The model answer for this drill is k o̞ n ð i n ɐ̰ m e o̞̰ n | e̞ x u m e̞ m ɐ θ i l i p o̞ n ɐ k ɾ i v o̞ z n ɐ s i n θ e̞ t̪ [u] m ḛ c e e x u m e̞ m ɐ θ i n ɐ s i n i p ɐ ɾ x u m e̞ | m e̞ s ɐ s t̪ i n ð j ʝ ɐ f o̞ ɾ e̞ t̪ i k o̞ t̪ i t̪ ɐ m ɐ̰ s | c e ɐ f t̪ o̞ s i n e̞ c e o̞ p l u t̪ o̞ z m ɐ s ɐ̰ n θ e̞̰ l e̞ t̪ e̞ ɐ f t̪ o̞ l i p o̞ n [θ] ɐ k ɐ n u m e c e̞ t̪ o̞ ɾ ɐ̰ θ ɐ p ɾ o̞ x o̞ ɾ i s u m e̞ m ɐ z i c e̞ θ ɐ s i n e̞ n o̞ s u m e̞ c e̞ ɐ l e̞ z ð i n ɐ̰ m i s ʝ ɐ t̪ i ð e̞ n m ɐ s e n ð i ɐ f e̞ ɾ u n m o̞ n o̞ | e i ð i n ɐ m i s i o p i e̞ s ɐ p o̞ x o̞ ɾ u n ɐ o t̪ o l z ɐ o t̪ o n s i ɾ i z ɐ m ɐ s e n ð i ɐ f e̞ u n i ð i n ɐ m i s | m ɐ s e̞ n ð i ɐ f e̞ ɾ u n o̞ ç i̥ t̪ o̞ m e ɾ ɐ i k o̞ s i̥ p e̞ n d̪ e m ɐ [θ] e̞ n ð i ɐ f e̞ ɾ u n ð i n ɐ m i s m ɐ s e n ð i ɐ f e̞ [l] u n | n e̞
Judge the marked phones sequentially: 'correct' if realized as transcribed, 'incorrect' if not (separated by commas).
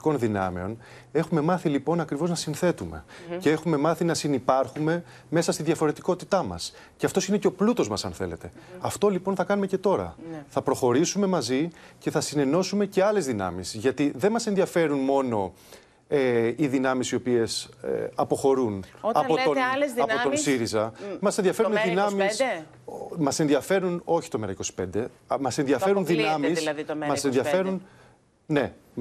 correct, correct, incorrect, incorrect